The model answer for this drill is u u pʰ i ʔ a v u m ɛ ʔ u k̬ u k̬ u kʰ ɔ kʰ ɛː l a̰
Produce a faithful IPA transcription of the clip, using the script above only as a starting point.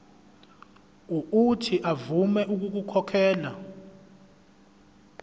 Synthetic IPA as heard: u u tʰ i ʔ a v u m ɛ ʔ u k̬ u k̬ u kʰ ɔ kʰ ɛː l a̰